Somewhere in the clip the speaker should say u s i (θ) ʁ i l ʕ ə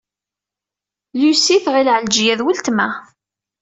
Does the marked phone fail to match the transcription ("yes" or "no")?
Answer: no